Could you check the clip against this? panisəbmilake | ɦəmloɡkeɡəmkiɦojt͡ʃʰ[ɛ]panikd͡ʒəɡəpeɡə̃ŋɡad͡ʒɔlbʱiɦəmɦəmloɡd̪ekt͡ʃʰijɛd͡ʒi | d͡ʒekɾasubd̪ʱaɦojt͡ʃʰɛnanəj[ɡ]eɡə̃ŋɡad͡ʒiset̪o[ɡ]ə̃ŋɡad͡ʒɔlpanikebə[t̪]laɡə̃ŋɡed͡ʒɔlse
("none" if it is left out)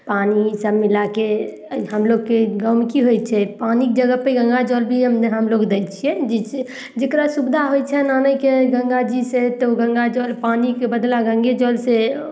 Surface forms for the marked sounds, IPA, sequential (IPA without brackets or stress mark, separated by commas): ɛ, k, ɡ, d̪